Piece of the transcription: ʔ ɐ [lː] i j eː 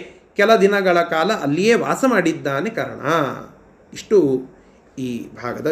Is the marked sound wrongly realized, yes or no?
no